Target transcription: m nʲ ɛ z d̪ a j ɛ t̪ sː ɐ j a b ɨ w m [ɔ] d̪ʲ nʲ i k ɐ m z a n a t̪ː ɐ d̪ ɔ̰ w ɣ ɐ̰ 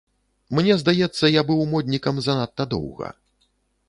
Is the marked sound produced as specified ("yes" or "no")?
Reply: yes